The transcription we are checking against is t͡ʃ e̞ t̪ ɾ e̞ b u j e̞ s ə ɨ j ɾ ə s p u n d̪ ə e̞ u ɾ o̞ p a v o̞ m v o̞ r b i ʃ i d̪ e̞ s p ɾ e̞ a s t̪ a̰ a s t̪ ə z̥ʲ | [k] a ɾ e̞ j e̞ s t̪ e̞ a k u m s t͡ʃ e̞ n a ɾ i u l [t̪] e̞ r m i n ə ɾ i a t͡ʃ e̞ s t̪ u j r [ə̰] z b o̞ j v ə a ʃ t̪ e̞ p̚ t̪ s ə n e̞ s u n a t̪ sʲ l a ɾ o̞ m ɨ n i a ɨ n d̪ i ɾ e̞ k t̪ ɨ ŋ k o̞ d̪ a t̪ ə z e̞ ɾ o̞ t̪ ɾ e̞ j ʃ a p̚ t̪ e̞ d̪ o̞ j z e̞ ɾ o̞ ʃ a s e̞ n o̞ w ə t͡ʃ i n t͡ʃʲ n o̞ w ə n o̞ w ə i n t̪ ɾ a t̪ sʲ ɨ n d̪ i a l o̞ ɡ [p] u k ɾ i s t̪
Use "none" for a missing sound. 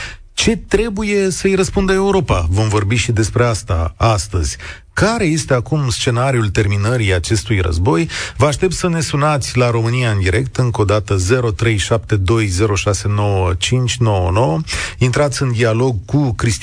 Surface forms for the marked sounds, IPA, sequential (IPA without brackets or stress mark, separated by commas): k, t̪, ə̰, k